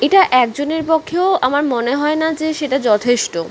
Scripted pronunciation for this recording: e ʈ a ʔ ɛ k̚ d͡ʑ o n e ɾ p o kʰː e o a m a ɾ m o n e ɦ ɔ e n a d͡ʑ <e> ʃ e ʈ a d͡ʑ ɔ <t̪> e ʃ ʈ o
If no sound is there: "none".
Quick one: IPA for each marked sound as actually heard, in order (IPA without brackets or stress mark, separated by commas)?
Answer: e, t̪ʰ